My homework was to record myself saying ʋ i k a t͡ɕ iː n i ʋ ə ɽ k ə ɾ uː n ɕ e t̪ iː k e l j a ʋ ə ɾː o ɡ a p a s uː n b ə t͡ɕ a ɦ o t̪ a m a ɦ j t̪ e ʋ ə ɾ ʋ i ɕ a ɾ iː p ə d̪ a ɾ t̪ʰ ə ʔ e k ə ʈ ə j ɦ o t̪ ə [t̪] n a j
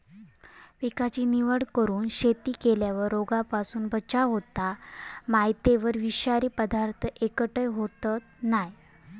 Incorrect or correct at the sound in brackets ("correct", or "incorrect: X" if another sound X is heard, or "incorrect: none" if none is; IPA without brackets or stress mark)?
correct